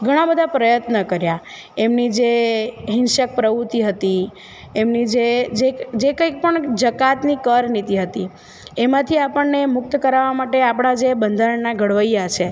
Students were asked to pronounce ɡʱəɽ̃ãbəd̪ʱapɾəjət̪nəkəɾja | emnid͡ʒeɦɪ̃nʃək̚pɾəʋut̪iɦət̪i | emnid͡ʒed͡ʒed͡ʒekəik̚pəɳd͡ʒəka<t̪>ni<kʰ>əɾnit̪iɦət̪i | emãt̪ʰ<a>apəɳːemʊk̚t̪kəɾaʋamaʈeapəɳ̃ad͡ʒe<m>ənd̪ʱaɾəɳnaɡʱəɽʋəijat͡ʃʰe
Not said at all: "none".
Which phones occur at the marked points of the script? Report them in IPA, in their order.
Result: t̪, k, i, b

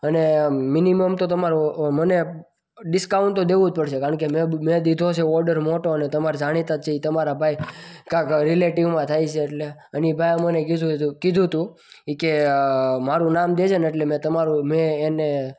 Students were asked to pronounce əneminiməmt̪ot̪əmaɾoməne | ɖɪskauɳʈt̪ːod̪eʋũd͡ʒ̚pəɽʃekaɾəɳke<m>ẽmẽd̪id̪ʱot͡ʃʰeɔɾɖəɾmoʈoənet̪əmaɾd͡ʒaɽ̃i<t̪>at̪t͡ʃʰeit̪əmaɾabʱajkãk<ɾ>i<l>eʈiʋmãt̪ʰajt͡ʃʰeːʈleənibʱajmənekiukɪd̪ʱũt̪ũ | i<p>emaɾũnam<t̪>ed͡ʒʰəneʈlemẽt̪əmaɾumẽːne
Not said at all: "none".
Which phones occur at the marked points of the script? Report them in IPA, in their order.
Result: m, t̪, ɾ, l, k, d̪

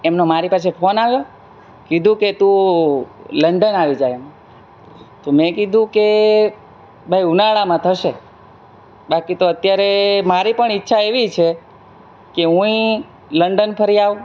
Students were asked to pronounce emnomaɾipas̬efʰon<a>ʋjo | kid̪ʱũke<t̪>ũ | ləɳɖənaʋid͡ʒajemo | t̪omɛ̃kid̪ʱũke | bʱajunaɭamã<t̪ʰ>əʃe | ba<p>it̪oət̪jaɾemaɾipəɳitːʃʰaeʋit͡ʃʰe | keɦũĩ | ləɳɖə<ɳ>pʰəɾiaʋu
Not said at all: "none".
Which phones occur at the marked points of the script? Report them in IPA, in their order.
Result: a, t̪, t̪ʰ, k, n

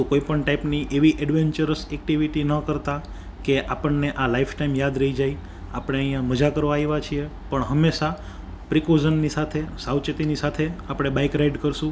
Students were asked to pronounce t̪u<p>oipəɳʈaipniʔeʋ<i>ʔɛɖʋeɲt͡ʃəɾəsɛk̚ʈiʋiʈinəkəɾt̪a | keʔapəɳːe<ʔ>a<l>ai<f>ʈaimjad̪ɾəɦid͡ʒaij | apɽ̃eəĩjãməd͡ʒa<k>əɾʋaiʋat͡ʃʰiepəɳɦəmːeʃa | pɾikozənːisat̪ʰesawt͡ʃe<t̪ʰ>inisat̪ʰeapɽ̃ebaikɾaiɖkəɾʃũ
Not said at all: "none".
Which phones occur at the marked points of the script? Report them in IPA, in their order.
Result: k, i, ʔ, l, f, k, t̪

